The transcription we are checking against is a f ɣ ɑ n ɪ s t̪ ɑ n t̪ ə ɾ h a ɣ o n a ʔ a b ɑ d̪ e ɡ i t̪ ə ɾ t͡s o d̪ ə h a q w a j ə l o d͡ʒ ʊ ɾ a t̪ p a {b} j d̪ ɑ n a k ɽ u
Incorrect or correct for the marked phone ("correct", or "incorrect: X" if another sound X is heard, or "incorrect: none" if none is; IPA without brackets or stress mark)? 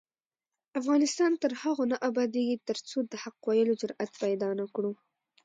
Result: incorrect: none